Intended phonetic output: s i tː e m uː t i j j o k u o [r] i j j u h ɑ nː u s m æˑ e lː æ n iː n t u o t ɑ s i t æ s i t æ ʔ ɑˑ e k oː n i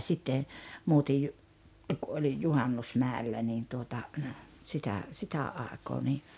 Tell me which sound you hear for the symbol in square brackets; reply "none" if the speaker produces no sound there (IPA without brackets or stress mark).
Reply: l